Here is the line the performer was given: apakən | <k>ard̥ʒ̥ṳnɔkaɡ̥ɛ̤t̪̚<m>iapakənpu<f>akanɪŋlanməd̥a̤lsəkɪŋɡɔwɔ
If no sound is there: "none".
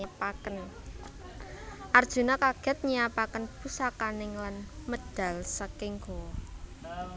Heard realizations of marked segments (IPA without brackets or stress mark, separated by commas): ʔ, ɲ, s